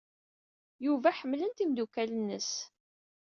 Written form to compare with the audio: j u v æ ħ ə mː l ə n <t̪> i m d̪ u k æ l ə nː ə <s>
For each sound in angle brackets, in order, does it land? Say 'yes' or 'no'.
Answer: yes, yes

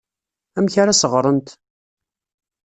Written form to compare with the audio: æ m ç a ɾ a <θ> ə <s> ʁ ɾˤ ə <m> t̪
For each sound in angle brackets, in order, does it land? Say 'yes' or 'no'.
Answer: no, no, no

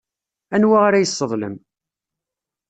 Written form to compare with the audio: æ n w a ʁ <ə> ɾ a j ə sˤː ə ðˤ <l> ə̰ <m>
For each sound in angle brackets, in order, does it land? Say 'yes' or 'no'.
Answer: no, yes, yes

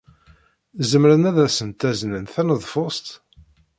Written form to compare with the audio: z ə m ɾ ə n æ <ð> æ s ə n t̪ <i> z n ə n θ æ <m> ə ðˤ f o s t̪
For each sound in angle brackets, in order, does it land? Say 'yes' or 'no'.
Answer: yes, no, no

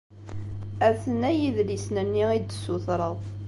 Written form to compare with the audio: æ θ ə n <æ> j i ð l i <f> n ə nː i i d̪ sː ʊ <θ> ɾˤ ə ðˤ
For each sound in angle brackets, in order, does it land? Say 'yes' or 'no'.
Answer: yes, no, yes

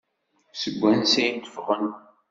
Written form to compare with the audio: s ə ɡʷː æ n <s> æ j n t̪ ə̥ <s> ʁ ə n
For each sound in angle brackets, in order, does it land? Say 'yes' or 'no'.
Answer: yes, no

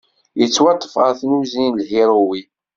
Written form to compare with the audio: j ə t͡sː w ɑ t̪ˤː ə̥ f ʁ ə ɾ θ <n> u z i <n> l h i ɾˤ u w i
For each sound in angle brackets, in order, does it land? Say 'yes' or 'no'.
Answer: yes, yes

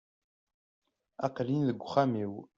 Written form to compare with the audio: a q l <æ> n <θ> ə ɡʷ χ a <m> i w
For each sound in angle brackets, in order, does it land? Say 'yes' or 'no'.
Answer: no, no, yes

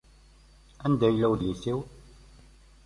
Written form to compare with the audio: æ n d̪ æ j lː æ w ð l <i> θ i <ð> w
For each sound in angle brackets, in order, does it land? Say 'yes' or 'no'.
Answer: yes, no

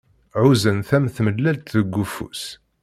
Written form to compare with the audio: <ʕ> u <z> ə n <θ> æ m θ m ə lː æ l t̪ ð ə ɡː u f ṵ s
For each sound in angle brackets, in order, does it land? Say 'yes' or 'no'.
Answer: yes, yes, yes

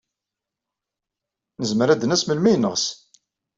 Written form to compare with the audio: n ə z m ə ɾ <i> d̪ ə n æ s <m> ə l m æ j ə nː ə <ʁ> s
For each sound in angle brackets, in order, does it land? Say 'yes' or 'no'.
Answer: no, yes, yes

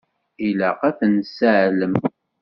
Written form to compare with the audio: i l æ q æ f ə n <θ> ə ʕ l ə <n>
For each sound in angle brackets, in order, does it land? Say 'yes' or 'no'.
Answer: no, no

